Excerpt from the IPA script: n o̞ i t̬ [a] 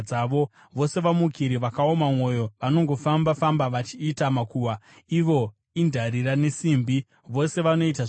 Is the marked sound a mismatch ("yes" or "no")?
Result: no